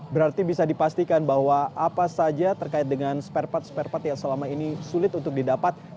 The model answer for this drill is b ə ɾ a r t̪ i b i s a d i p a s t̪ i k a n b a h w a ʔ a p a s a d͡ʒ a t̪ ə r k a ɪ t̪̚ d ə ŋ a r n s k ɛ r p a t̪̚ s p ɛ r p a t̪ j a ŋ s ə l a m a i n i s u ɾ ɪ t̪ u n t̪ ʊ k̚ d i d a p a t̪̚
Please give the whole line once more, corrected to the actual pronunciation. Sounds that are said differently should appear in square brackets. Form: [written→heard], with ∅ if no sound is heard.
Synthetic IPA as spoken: b ə ɾ a r t̪ i b i s a d i p a s t̪ i k a n b a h w a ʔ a p a s a d͡ʒ a t̪ ə r k a ɪ t̪̚ d ə ŋ a [r→∅] n s [k→p] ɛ r p a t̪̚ s p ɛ r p a t̪ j a ŋ s ə l a m a i n i s u [ɾ→l] ɪ t̪ u n t̪ ʊ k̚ d i d a p a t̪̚